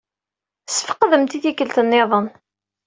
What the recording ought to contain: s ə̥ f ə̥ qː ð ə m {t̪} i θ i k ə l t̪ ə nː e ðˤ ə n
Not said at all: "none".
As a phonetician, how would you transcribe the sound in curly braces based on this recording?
t̪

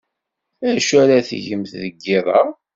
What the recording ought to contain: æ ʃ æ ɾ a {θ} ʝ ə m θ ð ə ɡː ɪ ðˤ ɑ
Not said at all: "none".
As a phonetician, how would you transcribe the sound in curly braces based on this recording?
θ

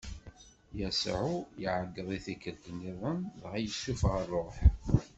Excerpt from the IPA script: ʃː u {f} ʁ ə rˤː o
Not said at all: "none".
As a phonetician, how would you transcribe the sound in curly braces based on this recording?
f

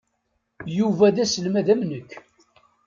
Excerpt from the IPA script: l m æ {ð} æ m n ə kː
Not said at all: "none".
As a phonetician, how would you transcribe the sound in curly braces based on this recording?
ð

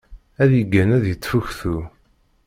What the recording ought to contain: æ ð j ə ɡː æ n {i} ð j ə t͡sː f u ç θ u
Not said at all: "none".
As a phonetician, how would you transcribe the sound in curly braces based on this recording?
æ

